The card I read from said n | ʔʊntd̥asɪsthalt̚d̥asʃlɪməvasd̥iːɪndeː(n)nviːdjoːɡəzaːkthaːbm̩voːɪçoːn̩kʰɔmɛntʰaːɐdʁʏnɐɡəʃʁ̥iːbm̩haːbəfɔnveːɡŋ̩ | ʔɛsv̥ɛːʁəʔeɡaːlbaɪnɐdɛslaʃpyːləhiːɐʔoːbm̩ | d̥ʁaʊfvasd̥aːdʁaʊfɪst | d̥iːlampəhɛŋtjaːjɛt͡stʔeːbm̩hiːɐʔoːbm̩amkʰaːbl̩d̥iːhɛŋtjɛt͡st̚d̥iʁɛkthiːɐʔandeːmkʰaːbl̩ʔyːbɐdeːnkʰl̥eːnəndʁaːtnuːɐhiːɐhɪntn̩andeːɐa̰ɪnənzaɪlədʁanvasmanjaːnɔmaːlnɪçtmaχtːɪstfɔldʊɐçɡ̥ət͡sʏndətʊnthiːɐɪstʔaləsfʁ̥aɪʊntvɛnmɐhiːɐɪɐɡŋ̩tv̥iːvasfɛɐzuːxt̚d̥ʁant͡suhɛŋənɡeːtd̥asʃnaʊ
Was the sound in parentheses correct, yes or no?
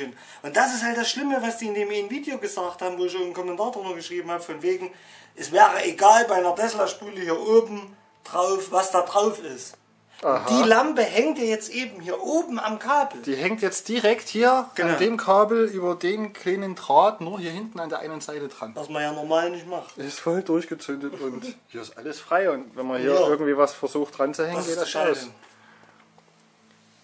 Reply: no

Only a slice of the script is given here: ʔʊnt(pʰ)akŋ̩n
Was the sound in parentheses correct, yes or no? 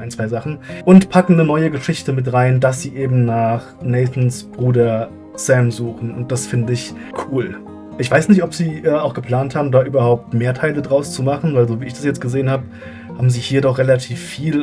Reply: yes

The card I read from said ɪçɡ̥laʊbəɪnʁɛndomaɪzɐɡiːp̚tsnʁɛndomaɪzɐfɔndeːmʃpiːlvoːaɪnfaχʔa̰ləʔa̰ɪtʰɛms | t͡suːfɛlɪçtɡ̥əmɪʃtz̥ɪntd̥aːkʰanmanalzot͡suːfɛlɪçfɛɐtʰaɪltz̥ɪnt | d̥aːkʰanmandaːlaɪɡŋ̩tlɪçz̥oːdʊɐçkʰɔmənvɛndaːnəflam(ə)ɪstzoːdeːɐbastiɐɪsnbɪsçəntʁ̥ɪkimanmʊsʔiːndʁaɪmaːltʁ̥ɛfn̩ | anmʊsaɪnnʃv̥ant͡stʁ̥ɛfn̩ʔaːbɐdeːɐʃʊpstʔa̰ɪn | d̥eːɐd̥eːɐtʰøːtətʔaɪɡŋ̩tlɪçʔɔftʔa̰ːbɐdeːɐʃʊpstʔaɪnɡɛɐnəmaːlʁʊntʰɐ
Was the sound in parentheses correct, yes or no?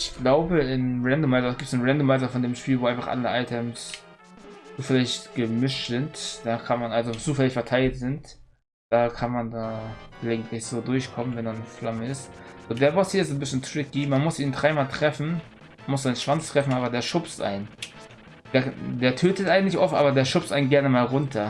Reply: yes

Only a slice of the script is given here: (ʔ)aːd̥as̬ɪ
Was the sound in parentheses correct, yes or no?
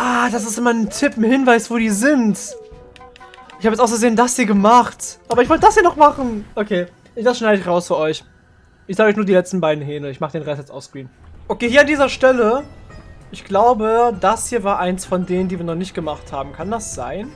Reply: yes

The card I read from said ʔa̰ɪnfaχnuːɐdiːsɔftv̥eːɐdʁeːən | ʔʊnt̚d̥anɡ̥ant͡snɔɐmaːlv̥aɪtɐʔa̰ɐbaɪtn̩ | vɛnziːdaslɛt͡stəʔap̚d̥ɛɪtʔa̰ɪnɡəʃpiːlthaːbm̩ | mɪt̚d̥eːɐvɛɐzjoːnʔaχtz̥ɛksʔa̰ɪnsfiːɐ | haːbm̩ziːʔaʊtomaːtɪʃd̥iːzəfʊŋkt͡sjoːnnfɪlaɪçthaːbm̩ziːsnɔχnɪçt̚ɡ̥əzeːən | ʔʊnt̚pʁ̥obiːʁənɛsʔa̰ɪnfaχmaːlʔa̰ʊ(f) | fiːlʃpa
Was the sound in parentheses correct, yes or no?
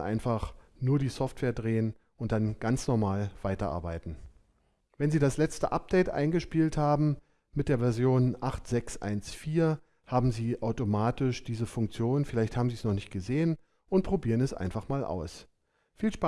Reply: no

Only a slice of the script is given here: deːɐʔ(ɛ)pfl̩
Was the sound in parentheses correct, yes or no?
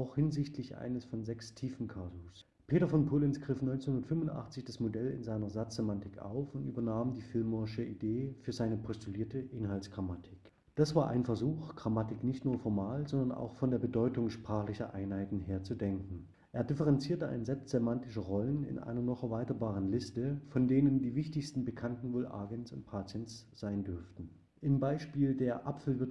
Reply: no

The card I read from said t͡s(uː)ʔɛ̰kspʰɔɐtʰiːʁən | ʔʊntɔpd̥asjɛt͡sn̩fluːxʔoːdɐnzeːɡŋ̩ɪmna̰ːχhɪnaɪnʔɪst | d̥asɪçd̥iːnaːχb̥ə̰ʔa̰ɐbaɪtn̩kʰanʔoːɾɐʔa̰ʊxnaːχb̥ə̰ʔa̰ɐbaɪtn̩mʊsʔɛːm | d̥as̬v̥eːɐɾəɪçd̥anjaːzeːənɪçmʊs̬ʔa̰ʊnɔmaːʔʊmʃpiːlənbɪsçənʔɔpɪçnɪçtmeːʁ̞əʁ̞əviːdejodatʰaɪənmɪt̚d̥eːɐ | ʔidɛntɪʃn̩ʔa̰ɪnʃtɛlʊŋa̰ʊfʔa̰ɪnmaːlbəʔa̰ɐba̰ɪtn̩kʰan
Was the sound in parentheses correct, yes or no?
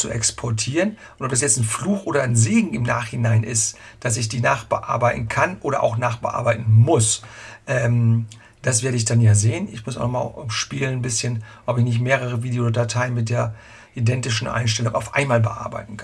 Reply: no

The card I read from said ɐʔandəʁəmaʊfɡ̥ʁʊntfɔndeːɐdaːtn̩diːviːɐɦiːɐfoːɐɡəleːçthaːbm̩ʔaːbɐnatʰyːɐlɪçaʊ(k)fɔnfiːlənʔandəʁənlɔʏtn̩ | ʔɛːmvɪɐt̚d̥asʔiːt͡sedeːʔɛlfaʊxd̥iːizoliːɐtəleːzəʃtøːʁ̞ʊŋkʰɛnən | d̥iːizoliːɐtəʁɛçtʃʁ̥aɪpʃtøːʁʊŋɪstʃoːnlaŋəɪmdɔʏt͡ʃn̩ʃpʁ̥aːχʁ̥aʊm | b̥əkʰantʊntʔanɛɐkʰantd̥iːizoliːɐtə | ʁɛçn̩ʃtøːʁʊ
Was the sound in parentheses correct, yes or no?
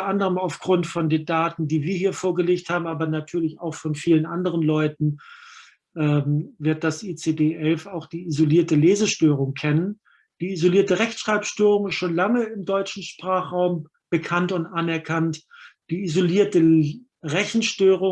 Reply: no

